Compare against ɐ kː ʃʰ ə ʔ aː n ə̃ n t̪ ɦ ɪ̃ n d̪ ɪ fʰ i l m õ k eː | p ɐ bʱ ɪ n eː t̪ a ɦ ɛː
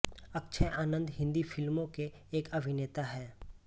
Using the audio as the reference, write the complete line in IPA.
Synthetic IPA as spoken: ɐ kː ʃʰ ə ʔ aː n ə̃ n d̪ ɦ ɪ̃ n d̪ i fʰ ɪ l m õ k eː | k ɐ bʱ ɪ n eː t̪ a ɦ ɛː